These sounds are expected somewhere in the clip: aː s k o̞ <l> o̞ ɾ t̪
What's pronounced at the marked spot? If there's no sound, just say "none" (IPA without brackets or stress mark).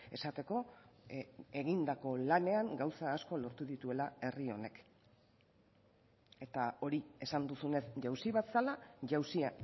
l